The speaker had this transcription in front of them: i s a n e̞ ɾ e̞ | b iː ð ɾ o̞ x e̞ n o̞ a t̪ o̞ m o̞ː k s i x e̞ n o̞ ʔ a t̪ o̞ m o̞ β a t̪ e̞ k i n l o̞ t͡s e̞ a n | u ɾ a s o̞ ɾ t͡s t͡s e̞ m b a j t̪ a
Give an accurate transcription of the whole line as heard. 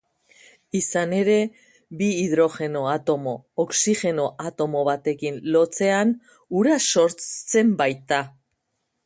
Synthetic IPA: i s a n e̞ ɾ e̞ | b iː ð ɾ o̞ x e̞ n o̞ a t̪ o̞ m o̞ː k s i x e̞ n o̞ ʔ a t̪ o̞ m o̞ β a t̪ e̞ k i n l o̞ t͡s e̞ a n | u ɾ a s o̞ ɾ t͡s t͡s e̞ m b a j t̪ a